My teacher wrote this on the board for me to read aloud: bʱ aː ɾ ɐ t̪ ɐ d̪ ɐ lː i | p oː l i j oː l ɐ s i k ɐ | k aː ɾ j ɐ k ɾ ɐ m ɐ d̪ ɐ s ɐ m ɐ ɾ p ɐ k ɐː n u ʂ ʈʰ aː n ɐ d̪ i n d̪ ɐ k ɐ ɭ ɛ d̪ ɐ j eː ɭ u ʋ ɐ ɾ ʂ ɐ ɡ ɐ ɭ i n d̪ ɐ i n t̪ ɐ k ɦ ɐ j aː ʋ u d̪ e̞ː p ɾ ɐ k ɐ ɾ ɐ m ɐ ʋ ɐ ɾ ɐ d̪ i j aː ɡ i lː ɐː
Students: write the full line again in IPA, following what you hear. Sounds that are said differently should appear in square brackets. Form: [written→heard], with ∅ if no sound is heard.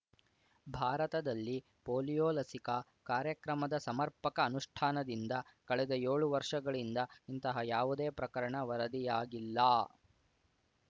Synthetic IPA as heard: bʱ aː ɾ ɐ t̪ ɐ d̪ ɐ lː i | p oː l i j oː l ɐ s i k ɐ | k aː ɾ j ɐ k ɾ ɐ m ɐ d̪ ɐ s ɐ m ɐ ɾ p ɐ k ɐː n u ʂ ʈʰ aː n ɐ d̪ i n d̪ ɐ k ɐ ɭ ɛ d̪ ɐ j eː ɭ u ʋ ɐ ɾ ʂ ɐ ɡ ɐ ɭ i n d̪ ɐ i n t̪ ɐ [k→∅] ɦ ɐ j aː ʋ u d̪ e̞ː p ɾ ɐ k ɐ ɾ ɐ [m→ɳ] ɐ ʋ ɐ ɾ ɐ d̪ i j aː ɡ i lː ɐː

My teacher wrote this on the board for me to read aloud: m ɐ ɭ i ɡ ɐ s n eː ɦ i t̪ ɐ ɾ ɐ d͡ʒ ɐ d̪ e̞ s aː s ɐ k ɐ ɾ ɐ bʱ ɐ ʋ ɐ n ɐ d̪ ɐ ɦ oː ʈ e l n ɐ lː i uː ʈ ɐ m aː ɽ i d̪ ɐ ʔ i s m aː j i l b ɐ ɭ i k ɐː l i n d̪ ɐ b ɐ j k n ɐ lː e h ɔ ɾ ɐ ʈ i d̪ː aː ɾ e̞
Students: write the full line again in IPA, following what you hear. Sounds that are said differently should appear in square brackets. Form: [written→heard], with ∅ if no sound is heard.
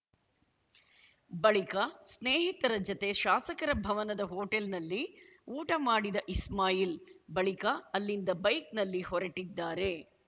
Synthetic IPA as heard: [m→b] ɐ ɭ i [ɡ→k] ɐ s n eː ɦ i t̪ ɐ ɾ ɐ d͡ʒ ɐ [d̪→t̪] e̞ [s→ʃ] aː s ɐ k ɐ ɾ ɐ bʱ ɐ ʋ ɐ n ɐ d̪ ɐ ɦ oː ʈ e l n ɐ lː i uː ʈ ɐ m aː ɽ i d̪ ɐ ʔ i s m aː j i l b ɐ ɭ i k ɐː [l→lː] i n d̪ ɐ b ɐ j k n ɐ lː [e→i] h ɔ ɾ ɐ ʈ i d̪ː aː ɾ e̞

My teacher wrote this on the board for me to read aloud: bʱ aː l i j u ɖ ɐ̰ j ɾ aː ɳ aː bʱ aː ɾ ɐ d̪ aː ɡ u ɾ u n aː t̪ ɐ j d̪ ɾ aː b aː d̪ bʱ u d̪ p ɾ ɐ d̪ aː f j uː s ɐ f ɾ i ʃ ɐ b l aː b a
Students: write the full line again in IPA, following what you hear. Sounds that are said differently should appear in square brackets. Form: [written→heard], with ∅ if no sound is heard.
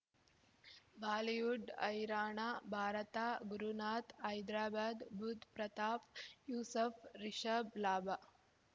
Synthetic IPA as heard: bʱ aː l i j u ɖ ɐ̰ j ɾ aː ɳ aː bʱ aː ɾ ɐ [d̪→t̪] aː ɡ u ɾ u n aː t̪ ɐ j d̪ ɾ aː b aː d̪ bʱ u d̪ p ɾ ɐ [d̪→t̪] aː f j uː s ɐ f ɾ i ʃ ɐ b l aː b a

